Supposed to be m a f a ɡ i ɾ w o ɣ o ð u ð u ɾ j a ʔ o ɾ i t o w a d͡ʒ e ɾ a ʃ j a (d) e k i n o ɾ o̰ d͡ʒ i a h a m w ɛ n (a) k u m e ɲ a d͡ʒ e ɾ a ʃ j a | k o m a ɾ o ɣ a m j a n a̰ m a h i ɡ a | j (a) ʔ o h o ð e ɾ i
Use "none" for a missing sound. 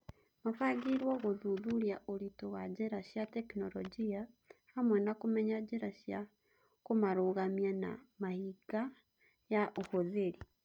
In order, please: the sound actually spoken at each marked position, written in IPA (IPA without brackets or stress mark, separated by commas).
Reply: t, a, a